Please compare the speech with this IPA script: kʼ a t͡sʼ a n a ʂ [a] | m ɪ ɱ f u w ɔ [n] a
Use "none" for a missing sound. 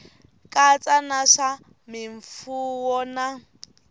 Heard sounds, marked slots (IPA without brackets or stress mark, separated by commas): a, n